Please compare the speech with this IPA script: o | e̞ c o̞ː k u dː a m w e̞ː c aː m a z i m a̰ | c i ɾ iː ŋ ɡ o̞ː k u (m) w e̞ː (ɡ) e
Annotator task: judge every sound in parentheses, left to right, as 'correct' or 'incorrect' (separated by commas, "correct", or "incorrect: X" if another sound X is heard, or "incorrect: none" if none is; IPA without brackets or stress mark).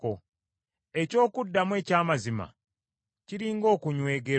incorrect: ɲ, correct